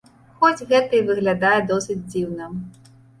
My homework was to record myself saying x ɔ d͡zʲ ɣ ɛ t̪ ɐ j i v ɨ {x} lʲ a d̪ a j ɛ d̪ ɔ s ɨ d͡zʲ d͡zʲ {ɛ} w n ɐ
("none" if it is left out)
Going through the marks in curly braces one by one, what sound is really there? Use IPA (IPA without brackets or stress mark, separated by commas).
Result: ɣ, i